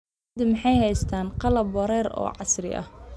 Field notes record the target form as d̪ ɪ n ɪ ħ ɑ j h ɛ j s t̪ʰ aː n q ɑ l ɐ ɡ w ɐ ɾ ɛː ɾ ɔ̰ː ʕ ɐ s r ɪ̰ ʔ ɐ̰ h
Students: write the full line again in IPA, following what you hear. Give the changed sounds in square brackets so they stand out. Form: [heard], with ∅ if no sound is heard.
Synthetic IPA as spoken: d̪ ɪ [m] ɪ ħ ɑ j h ɛ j s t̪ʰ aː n q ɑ l ɐ [b] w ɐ ɾ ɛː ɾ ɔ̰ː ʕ [ɑ] s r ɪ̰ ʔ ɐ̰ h